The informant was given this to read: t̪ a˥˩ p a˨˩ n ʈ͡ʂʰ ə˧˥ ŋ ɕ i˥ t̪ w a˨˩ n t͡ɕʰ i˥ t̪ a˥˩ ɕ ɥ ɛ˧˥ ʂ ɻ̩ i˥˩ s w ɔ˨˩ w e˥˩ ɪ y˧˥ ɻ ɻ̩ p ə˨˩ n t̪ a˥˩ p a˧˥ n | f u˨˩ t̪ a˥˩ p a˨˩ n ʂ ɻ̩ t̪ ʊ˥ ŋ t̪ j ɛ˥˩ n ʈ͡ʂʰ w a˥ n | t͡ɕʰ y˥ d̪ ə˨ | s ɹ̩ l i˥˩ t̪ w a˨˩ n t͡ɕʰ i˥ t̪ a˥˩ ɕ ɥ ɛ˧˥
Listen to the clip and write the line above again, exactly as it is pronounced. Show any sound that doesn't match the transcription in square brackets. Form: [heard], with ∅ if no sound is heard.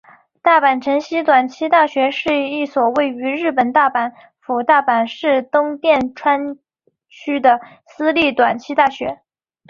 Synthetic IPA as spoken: t̪ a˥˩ p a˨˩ n ʈ͡ʂʰ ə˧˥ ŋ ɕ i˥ t̪ w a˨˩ n t͡ɕʰ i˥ t̪ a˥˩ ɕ ɥ ɛ˧˥ ʂ ɻ̩ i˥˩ s w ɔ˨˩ w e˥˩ ɪ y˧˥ ɻ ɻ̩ p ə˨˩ n t̪ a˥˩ p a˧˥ n | f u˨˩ t̪ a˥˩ p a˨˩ n ʂ ɻ̩ t̪ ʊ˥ ŋ t̪ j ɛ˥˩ n ʈ͡ʂʰ w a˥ n | t͡ɕʰ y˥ d̪ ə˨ | s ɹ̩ l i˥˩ t̪ w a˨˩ n t͡ɕʰ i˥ t̪ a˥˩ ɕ ɥ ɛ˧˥